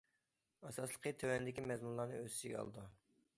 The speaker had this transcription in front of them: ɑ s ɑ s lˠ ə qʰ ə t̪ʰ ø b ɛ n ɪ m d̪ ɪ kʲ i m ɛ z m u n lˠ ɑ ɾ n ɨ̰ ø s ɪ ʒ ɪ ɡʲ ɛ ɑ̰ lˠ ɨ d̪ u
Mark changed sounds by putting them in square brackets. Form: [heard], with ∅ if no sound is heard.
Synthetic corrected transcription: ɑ s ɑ s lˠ ə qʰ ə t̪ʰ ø [w] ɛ n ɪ [∅] d̪ ɪ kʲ i m ɛ z m u n lˠ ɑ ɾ n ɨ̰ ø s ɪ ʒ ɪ ɡʲ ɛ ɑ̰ lˠ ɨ d̪ u